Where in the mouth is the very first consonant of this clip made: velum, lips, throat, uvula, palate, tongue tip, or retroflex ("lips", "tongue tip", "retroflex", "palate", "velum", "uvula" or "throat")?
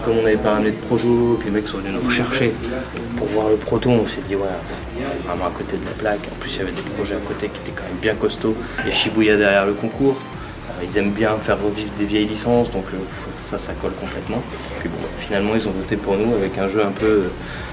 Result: velum